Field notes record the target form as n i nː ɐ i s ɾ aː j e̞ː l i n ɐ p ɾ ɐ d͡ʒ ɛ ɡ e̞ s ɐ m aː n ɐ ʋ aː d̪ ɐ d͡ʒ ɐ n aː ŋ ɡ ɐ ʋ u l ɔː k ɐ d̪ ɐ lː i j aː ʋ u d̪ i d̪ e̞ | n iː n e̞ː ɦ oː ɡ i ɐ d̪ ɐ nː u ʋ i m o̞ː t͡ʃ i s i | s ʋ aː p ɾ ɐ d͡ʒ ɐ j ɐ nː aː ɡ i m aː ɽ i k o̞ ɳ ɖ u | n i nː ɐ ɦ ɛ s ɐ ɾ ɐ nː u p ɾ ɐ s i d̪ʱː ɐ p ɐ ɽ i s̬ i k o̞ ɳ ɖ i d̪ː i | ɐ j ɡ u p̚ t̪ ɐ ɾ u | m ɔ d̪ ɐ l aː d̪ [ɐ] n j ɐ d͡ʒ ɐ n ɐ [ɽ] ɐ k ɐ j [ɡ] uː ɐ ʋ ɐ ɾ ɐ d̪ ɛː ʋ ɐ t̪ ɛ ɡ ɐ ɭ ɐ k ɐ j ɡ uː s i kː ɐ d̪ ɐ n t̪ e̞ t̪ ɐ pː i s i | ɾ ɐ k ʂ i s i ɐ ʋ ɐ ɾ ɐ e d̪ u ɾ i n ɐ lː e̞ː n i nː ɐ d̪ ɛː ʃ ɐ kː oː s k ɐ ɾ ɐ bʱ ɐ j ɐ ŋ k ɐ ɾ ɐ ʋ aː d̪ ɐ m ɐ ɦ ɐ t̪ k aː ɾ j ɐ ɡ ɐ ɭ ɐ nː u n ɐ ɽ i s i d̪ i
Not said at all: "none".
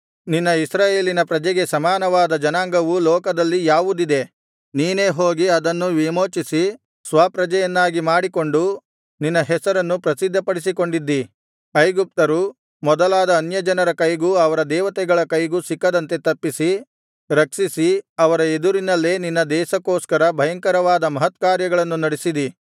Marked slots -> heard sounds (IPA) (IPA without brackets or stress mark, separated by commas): ɐː, ɾ, ɡ